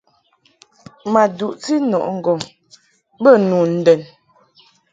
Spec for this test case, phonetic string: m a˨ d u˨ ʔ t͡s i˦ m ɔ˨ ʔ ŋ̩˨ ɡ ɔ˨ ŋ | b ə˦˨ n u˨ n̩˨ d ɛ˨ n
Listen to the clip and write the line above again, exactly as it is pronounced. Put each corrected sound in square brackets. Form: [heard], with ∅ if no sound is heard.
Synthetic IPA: m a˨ d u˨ ʔ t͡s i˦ [n] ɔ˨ ʔ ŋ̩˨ ɡ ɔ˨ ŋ | b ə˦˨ n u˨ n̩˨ d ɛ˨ n